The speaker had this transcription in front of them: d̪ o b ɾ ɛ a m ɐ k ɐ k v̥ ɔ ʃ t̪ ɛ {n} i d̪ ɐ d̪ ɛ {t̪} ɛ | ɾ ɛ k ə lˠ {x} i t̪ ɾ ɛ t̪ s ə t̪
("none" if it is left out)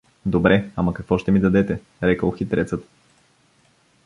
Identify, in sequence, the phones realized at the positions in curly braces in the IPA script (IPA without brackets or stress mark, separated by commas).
m, t̪, x